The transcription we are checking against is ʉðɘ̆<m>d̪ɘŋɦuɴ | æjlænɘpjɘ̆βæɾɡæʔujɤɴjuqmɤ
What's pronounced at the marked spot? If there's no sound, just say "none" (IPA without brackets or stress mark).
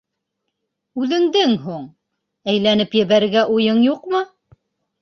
ŋ